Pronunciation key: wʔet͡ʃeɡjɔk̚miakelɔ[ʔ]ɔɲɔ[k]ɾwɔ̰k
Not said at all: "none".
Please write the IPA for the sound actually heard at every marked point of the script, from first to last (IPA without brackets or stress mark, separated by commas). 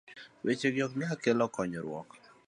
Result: k, none